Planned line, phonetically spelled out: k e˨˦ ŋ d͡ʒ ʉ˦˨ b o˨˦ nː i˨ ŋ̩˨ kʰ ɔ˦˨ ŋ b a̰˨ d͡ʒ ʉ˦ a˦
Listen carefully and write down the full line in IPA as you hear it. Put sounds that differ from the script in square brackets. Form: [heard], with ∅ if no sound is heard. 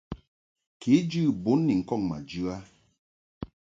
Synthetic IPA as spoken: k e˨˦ [∅] d͡ʒ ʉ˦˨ b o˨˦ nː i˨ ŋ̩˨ [k] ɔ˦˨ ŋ [m] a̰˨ d͡ʒ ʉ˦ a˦

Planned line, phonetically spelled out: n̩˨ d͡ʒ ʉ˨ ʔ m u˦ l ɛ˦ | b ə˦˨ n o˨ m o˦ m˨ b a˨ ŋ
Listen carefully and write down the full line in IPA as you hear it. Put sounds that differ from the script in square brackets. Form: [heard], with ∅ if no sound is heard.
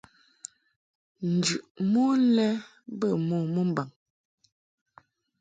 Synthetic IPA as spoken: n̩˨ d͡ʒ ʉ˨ ʔ m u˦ l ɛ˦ | b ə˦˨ [m] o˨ m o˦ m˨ b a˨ ŋ

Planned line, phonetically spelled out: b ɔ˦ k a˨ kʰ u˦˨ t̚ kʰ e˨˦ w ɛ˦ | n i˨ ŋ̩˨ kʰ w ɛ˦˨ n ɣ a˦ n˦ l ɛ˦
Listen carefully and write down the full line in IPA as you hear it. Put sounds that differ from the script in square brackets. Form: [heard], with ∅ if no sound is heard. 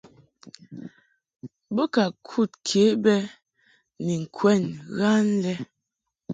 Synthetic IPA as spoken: b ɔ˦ k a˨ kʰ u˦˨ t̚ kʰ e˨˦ [b] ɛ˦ | n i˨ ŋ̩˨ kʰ w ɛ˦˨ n ɣ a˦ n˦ l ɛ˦

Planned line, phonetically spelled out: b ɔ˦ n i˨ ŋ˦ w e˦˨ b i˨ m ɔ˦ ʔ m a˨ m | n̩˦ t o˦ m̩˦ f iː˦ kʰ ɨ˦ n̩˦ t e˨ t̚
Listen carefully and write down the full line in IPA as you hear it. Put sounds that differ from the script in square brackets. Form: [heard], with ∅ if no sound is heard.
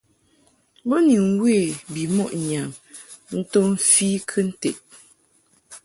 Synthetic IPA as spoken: b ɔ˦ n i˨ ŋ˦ w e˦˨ b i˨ m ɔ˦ ʔ [ɲ] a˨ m | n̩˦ t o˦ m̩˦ f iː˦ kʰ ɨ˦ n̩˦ t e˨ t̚

